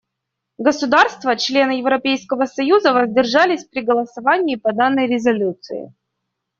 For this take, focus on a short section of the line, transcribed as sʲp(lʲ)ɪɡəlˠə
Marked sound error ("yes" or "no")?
yes